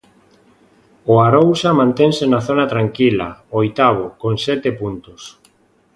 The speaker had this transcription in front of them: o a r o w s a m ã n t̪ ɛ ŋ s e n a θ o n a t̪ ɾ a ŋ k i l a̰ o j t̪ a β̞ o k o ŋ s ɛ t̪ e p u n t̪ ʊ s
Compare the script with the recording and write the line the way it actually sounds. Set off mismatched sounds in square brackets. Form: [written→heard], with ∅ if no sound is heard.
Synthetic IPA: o a [r→ɾ] o w s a m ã n t̪ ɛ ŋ s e n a θ o n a t̪ ɾ a ŋ k i l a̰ o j t̪ a β̞ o k o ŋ s ɛ t̪ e p u n t̪ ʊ s